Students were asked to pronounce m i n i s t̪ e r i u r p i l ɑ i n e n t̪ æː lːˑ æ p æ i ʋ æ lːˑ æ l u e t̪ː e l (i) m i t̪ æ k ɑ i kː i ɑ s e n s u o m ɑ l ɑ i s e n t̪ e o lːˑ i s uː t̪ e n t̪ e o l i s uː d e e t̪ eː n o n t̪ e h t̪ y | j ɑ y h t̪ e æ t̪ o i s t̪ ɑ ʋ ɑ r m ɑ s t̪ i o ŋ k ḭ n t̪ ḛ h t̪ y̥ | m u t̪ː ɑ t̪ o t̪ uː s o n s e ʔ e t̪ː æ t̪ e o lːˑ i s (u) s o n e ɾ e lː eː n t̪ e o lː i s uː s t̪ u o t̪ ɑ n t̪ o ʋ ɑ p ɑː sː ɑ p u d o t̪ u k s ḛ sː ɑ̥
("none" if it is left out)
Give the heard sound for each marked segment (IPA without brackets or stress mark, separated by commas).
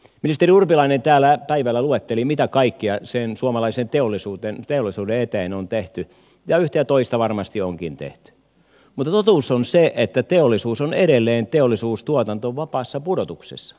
i, uː